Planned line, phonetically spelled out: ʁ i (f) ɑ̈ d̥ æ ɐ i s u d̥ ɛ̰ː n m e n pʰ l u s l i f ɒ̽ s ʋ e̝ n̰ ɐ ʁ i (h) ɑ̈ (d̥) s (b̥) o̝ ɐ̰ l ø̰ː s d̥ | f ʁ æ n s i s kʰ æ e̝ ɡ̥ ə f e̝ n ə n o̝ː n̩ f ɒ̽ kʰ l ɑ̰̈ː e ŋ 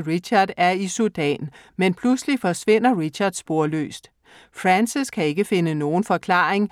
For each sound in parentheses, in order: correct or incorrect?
incorrect: ɕ, incorrect: ɕ, correct, correct

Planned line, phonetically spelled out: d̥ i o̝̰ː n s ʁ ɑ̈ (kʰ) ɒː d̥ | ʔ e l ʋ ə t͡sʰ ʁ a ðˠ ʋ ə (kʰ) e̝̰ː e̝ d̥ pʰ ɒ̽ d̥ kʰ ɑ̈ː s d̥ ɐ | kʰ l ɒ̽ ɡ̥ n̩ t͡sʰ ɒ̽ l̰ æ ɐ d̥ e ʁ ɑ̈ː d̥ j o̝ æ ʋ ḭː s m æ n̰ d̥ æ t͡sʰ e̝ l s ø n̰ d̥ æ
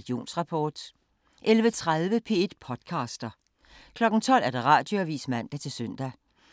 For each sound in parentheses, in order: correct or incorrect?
incorrect: pʰ, incorrect: pʰ

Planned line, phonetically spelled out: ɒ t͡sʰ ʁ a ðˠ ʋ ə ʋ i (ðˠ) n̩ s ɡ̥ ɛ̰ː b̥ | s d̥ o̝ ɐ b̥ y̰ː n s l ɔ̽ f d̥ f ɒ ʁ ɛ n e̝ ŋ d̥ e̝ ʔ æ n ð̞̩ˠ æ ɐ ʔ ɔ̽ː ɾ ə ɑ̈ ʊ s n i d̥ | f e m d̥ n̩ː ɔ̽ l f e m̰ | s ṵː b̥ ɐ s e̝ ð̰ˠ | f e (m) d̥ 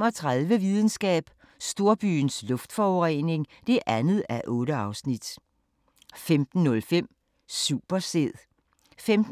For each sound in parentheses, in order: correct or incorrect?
correct, correct

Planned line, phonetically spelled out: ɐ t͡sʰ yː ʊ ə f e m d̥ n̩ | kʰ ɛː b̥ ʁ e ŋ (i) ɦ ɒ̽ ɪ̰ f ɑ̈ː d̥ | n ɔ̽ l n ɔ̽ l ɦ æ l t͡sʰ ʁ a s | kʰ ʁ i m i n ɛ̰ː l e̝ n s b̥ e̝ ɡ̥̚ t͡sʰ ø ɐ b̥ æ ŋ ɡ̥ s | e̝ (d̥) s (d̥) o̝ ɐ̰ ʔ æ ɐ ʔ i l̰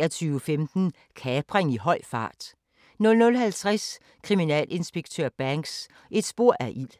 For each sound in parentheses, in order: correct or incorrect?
correct, correct, incorrect: b̥

